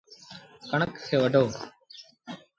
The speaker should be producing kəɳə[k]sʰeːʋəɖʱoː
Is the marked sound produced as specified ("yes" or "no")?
yes